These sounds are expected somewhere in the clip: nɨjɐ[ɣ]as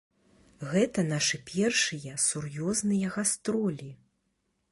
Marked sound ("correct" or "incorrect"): correct